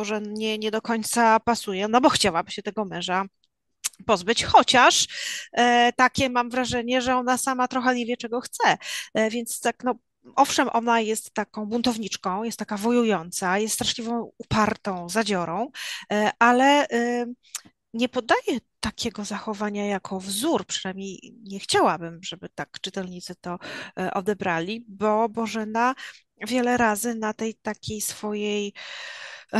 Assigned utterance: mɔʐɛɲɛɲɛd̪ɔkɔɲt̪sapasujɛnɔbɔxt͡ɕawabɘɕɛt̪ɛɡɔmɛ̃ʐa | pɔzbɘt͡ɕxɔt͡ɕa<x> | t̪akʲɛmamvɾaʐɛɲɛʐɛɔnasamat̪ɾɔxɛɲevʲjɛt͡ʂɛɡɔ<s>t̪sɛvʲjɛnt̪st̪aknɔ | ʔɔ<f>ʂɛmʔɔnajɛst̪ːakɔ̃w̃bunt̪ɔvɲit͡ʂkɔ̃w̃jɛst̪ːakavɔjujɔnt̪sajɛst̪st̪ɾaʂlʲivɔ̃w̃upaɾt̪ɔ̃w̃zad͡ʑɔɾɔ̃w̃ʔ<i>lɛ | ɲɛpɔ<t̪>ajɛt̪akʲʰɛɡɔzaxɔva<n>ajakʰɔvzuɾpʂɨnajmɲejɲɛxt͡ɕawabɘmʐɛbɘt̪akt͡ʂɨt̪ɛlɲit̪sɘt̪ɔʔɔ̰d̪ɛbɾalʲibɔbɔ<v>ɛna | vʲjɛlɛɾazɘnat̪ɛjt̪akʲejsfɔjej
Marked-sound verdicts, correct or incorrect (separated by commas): incorrect, incorrect, correct, incorrect, incorrect, incorrect, incorrect